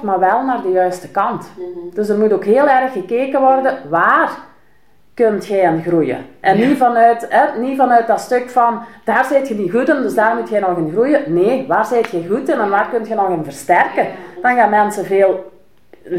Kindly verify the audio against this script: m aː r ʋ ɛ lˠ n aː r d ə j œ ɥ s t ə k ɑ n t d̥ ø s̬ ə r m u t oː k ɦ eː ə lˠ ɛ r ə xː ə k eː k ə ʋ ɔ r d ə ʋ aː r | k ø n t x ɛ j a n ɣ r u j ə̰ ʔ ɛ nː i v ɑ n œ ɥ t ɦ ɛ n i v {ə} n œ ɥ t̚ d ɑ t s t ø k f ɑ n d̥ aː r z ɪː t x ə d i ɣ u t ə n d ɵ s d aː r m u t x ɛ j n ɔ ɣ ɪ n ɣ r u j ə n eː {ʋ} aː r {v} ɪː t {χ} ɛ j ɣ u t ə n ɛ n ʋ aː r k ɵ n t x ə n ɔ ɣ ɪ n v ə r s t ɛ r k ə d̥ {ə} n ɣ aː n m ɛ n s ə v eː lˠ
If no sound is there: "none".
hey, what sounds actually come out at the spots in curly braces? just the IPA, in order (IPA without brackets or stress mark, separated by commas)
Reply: ɑ, ʋ, z, x, ɑ